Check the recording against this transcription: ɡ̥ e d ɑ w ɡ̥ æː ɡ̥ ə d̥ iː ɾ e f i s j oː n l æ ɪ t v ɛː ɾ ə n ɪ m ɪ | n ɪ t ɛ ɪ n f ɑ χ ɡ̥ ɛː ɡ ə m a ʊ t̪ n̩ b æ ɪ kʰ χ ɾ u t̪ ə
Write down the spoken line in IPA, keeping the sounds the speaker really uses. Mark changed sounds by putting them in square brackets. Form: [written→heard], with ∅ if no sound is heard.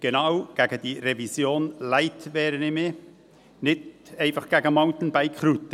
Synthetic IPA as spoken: ɡ̥ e [d→n] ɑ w ɡ̥ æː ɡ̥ ə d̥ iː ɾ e [f→v] i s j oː n l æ ɪ t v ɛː ɾ ə n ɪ m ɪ | n ɪ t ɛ ɪ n f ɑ χ ɡ̥ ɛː ɡ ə m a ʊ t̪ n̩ b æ ɪ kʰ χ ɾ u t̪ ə